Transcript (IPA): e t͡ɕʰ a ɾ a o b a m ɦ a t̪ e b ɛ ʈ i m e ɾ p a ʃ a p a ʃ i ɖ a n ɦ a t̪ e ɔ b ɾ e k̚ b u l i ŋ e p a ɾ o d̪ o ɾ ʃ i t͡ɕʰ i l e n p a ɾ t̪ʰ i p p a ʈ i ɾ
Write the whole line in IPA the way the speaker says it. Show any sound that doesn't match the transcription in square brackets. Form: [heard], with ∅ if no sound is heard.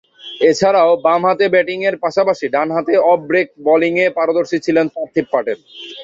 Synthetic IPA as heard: e t͡ɕʰ a ɾ a o b a m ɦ a t̪ e b ɛ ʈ i [ŋ] e ɾ p a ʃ a p a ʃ i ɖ a n ɦ a t̪ e ɔ b ɾ e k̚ b [ɔ] l i ŋ e p a ɾ o d̪ o ɾ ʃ i t͡ɕʰ i l e n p a ɾ t̪ʰ i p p a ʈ [e] ɾ